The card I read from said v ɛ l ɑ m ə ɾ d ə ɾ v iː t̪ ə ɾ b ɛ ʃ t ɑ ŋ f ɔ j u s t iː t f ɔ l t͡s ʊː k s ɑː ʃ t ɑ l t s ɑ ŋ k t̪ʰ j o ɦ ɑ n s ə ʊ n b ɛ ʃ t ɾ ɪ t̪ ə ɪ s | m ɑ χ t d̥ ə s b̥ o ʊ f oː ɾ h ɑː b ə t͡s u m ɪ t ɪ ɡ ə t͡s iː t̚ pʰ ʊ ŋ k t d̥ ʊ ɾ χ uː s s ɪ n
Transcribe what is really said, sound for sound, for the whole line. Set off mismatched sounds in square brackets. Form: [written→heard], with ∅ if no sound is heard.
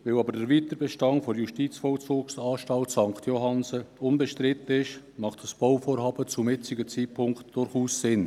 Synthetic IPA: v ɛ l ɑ [m→b] ə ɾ d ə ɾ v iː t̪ ə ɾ b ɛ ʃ t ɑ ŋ f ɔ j u [s→ʃ] t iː [t→t͡s] f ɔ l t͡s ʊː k s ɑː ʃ t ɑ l t s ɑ ŋ k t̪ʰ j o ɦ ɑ n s ə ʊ n b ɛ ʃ t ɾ ɪ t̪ ə ɪ [s→ʃ] | m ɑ χ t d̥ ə s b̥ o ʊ f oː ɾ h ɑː b ə t͡s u m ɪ [t→t͡s] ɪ ɡ ə t͡s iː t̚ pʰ ʊ ŋ k t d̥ ʊ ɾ χ uː s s ɪ n